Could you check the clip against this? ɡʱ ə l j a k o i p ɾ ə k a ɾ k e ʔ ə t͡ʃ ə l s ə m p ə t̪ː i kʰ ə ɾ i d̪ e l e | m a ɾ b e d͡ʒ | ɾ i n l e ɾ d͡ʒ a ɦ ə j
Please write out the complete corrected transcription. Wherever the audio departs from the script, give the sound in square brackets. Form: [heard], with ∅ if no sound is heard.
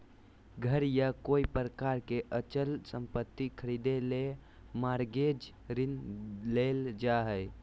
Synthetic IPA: ɡʱ ə [ɾ] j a k o i p ɾ ə k a ɾ k e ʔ ə t͡ʃ ə l s ə m p ə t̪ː i kʰ ə ɾ i d̪ e l e | m a ɾ [ɡ] e d͡ʒ | ɾ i n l e [l] d͡ʒ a ɦ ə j